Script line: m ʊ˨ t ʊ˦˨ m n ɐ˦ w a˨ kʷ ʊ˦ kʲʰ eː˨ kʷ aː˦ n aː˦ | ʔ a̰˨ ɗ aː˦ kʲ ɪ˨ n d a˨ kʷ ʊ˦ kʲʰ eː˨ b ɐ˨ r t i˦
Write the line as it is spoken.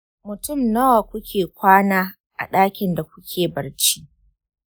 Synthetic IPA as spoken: m ʊ˨ t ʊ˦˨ m n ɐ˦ w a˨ kʷ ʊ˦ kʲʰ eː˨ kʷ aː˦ n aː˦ | ʔ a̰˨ ɗ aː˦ kʲ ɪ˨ n d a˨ kʷ ʊ˦ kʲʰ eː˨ b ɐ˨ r t͡ʃ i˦